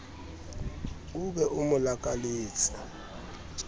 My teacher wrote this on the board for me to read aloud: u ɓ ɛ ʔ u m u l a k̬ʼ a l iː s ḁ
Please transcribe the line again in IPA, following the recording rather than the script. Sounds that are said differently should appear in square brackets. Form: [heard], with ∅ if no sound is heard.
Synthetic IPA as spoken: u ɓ ɛ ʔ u m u l a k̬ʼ a l iː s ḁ